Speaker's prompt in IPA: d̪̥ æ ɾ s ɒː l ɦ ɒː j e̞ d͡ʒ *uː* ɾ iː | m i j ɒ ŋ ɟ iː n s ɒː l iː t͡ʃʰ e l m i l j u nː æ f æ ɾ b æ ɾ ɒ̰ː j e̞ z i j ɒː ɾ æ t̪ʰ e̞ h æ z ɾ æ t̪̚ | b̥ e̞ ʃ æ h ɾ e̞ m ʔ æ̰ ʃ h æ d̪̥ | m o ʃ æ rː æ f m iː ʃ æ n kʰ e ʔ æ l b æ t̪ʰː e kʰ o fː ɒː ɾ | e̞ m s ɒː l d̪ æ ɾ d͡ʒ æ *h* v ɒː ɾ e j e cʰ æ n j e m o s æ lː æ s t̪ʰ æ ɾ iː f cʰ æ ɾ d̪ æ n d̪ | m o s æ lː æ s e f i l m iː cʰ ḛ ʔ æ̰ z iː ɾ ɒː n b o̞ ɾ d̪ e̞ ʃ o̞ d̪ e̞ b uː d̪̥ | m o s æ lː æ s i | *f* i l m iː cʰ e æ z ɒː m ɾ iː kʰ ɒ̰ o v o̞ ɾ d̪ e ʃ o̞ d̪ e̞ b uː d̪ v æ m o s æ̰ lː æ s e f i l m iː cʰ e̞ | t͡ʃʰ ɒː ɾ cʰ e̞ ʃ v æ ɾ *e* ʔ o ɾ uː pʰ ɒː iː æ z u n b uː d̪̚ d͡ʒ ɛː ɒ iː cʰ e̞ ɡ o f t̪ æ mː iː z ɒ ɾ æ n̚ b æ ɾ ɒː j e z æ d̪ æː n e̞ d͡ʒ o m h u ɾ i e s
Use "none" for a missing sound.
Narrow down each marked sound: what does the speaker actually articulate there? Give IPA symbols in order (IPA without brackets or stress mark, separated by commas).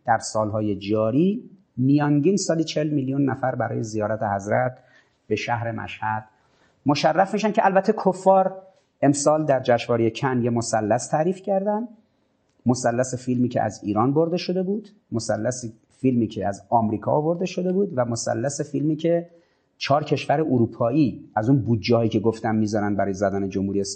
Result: ɒː, ʃ, f, e